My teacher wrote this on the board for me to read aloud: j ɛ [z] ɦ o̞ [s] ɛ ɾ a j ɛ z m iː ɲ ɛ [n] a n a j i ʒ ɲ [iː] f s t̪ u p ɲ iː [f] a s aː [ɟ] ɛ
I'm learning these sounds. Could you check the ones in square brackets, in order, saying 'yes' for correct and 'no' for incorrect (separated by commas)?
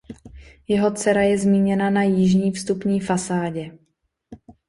no, no, yes, yes, yes, yes